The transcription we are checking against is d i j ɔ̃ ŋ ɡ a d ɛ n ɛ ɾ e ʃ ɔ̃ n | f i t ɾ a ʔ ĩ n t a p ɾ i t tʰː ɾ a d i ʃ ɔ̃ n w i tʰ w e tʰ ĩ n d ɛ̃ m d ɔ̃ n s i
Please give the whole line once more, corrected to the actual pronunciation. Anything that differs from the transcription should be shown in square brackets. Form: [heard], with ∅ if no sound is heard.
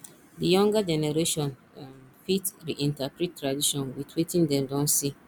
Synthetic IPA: d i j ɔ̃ ŋ ɡ a [d͡ʒ] ɛ n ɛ ɾ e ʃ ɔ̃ n | f i t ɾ [i] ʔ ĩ n t a p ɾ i t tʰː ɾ a d i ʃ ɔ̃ n w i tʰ w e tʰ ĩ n d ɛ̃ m d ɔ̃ n s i